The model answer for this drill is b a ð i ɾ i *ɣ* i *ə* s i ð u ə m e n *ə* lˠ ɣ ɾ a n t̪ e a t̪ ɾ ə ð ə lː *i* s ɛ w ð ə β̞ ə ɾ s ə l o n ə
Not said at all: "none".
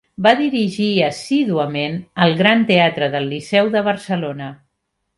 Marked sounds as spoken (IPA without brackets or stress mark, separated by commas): ʒ, ə, ə, i